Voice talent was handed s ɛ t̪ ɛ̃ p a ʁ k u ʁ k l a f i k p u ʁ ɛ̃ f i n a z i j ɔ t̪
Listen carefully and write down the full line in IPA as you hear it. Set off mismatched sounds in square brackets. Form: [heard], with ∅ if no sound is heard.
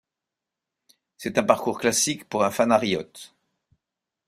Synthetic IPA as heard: s ɛ t̪ ɛ̃ p a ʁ k u ʁ k l a [s] i k p u ʁ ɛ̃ f [a] n a [ʁ] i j ɔ t̪